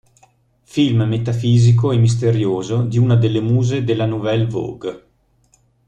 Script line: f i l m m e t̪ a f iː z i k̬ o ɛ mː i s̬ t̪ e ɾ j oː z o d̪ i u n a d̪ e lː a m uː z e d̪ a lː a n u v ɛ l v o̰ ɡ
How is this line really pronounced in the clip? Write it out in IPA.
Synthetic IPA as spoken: f i l m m e t̪ a f iː z i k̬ o ɛ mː i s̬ t̪ e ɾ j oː z o d̪ i u n a d̪ e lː e m uː z e d̪ e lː a n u v ɛ l v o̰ ɡ